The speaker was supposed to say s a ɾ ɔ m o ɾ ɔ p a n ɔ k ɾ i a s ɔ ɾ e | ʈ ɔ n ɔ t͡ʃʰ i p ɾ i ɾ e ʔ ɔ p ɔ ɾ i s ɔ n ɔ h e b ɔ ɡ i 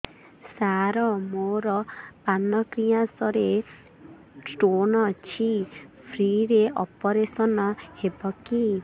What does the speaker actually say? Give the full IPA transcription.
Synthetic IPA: s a ɾ ɔ m o ɾ ɔ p a n ɔ k ɾ i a s ɔ ɾ e | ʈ o n ɔ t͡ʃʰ i pʰ ɾ i ɾ e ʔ ɔ p ɔ ɾ e s ɔ n ɔ h e b ɔ k i